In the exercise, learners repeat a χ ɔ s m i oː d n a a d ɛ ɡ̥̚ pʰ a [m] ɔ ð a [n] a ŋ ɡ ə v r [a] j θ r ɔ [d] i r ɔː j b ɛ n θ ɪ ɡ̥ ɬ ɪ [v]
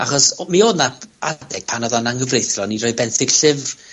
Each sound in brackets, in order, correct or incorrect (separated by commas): incorrect, correct, incorrect, incorrect, correct